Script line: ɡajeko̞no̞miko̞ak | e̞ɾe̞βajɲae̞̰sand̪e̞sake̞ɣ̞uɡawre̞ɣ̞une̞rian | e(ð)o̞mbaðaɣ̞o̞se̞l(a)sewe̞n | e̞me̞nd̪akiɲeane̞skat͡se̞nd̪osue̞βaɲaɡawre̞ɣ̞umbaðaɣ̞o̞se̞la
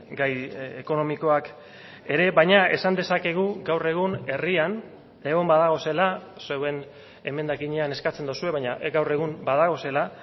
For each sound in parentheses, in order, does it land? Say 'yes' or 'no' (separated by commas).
no, yes